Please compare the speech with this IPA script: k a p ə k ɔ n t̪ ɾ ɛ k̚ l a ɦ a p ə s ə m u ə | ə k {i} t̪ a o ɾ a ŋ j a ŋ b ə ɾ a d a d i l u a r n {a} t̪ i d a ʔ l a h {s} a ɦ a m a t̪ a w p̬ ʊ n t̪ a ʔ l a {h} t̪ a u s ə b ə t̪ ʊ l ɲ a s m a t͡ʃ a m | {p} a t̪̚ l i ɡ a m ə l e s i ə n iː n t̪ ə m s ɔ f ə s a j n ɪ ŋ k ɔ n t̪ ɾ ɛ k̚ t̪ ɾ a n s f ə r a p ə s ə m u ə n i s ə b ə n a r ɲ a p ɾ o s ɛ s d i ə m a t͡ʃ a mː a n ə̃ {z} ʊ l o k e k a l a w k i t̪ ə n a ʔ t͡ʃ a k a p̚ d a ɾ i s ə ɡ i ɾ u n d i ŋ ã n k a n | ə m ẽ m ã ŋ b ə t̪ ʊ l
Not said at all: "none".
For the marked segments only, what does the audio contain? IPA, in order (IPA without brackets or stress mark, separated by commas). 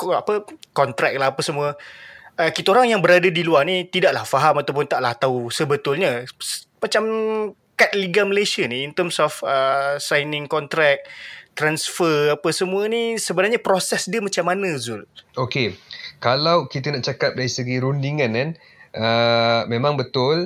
i, i, f, h, k, z